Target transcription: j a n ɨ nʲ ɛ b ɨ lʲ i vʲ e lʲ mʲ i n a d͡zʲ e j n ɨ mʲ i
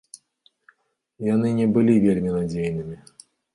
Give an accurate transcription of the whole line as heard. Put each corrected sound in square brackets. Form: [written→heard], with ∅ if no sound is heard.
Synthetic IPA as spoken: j a n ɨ nʲ ɛ b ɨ lʲ i vʲ e lʲ mʲ i n a d͡zʲ e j n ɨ mʲ i